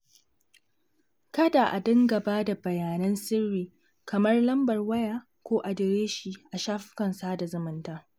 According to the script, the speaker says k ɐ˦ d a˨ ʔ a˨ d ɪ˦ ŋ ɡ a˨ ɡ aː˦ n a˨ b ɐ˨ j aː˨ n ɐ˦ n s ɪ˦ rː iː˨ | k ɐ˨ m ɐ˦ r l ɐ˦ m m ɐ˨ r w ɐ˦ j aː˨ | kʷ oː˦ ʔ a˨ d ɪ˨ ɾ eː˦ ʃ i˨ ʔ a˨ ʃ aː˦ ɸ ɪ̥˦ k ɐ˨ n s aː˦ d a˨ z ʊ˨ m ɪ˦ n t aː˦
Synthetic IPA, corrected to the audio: k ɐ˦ d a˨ ʔ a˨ d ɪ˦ ŋ ɡ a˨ b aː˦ d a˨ b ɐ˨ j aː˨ n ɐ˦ n s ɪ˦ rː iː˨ | k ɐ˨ m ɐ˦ r l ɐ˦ m b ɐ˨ r w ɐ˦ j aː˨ | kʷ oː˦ ʔ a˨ d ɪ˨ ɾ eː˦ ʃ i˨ ʔ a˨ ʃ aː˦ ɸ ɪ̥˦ k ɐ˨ n s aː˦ d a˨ z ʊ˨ m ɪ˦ n t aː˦